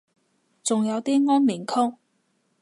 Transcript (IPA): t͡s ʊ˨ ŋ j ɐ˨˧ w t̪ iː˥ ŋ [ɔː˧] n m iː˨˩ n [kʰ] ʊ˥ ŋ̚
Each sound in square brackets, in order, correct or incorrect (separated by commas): incorrect, correct